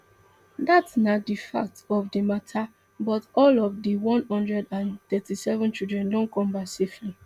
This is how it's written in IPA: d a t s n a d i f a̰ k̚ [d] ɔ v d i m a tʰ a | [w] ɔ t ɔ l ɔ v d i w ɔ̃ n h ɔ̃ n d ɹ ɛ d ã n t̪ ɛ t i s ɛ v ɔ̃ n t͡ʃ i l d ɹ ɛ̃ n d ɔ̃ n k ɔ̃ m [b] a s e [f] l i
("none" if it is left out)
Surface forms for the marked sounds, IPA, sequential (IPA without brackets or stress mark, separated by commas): t, b, b, f